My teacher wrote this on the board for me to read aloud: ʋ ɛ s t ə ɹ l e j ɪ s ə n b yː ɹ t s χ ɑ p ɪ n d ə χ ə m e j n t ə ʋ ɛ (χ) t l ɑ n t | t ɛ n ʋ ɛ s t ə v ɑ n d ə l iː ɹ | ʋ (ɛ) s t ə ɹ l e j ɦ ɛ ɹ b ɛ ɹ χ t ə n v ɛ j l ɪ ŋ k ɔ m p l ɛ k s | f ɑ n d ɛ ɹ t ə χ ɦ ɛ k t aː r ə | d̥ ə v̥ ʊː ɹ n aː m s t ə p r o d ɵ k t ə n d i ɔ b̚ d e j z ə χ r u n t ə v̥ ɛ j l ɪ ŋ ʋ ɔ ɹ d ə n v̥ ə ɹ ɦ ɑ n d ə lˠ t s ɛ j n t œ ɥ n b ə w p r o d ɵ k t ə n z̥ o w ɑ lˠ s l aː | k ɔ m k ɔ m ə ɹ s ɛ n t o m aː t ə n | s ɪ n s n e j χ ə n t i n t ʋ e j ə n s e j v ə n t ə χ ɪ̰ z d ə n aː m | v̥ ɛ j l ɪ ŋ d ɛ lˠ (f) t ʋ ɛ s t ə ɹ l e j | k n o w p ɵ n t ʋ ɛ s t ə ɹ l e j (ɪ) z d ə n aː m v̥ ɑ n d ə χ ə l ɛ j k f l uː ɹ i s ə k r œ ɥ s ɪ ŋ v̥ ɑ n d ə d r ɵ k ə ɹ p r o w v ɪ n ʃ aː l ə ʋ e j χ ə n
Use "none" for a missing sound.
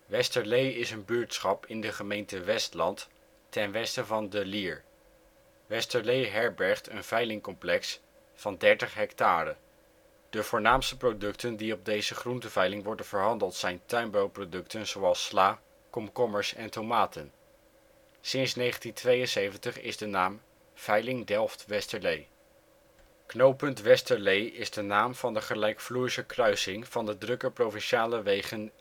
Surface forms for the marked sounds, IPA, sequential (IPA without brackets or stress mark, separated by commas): s, ɛ, f, ɪ